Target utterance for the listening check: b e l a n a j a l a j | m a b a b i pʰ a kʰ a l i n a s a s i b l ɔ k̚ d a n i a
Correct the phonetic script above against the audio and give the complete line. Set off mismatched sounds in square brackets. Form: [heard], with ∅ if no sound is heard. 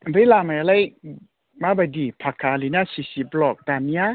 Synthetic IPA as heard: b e l a [m] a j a l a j | m a b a [d] i pʰ a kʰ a l i n a s [i] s i b l ɔ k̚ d a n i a

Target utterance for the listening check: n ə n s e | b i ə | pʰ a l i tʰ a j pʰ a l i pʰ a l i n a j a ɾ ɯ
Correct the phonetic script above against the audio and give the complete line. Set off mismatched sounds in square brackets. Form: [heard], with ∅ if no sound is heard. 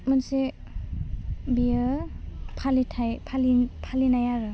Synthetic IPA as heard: [m] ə n s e | b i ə | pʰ a l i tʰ a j pʰ a l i pʰ a l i n a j a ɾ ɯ

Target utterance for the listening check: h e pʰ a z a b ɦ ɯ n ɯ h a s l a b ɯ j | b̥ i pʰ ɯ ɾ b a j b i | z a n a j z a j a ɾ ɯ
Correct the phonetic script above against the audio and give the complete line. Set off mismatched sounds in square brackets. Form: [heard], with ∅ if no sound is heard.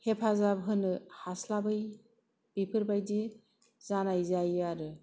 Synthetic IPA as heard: h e pʰ a z a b ɦ ɯ n ɯ h a s l a b ɯ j | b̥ i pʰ ɯ ɾ b a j [d] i | z a n a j z a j a ɾ ɯ

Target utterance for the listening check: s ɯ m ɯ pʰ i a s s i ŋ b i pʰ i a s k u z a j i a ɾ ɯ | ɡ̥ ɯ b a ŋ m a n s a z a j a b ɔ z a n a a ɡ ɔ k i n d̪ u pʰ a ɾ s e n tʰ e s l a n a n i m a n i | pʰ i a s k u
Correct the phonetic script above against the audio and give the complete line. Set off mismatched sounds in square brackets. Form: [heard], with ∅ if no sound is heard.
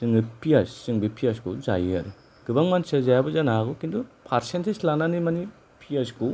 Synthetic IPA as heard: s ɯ [ŋ] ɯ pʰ i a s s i ŋ b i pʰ i a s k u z a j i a ɾ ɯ | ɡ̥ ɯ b a ŋ m a n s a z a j a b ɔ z a n a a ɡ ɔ k i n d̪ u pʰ a ɾ s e n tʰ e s l a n a n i m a n i | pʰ i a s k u

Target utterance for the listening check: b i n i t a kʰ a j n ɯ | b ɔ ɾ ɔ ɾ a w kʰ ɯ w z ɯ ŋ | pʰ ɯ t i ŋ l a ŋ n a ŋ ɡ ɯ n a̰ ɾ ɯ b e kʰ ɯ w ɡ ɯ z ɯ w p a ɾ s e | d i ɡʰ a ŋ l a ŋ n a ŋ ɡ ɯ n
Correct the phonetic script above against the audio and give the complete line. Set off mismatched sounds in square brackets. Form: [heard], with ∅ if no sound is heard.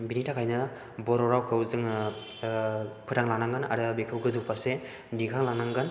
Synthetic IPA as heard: b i n i t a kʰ a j n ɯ | b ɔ ɾ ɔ ɾ a w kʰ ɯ w z ɯ ŋ | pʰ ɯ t [a] ŋ l a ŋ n a ŋ ɡ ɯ n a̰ ɾ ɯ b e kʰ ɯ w ɡ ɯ z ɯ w p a ɾ s e | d i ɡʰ a ŋ l a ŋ n a ŋ ɡ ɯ n

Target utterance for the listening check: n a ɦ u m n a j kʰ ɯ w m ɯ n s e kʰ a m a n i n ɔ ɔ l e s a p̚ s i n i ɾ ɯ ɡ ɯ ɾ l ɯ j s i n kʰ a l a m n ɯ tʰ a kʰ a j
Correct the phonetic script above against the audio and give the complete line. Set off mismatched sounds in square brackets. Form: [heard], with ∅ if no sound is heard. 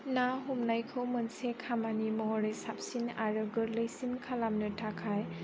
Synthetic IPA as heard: n a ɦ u m n a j kʰ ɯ w m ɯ n s e kʰ a m a n i [m] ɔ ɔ [ɾ] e s a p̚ s i n [a] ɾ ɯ ɡ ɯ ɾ l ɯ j s i n kʰ a l a m n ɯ tʰ a kʰ a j

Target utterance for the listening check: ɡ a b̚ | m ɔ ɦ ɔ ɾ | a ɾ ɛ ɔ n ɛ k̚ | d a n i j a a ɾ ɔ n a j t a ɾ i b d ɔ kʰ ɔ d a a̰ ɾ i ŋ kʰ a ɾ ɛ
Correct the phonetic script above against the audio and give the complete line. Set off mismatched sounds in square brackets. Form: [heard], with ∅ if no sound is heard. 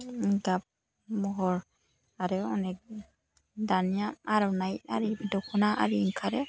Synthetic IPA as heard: ɡ a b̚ | m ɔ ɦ ɔ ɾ | a ɾ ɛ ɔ n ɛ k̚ | d a n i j a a ɾ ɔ n a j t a ɾ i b d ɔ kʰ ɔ [n] a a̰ ɾ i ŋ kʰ a ɾ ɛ

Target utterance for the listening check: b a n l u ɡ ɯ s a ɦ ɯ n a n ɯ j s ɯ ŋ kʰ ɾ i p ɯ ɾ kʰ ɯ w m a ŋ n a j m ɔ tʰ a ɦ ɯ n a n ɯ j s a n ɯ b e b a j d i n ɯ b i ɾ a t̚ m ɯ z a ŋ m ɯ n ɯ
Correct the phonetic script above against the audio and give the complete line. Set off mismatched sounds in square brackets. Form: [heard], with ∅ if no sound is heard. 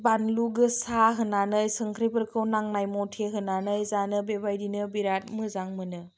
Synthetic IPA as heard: b a n l u ɡ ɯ s a ɦ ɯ n a n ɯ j s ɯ ŋ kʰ ɾ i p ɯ ɾ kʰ ɯ w [n] a ŋ n a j m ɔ tʰ [e] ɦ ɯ n a n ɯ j [z] a n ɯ b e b a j d i n ɯ b i ɾ a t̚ m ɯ z a ŋ m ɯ n ɯ

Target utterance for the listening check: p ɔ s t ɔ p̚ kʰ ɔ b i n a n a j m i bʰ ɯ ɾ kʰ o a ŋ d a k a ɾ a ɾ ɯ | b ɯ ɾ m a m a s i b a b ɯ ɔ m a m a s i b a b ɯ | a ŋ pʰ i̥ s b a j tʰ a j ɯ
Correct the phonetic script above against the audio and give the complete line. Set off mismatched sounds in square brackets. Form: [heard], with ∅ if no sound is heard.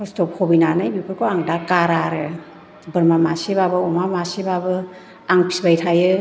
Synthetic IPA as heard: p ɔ s t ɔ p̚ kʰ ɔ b i n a n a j [b] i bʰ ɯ ɾ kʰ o a ŋ d a k a ɾ a ɾ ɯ | b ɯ ɾ m a m a s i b a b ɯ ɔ m a m a s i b a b ɯ | a ŋ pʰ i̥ s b a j tʰ a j ɯ

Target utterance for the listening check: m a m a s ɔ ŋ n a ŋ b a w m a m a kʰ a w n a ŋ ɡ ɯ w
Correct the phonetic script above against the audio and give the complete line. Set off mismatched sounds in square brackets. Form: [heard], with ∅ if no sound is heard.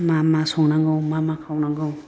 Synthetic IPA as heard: m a m a s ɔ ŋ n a ŋ [ɡ] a w m a m a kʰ a w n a ŋ ɡ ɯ w

